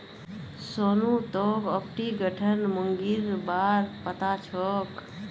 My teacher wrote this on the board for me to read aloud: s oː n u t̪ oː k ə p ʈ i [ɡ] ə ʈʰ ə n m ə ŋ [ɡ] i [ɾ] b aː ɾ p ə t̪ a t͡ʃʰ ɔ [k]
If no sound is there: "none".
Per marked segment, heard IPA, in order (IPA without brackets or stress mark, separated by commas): ɡ, ɡ, ɾ, k